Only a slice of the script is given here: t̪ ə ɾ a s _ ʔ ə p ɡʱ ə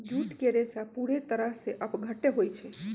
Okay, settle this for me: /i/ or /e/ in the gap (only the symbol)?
e